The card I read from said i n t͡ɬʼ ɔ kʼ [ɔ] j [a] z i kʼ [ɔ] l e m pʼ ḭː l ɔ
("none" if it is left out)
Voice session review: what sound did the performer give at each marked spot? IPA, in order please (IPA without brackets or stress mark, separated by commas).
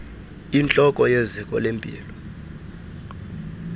ɔ, e, ɔ